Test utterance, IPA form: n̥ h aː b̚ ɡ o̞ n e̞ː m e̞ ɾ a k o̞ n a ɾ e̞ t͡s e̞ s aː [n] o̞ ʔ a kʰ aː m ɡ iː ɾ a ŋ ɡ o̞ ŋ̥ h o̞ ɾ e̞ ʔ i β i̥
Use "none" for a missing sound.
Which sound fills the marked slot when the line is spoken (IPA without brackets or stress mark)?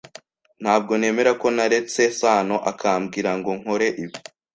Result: n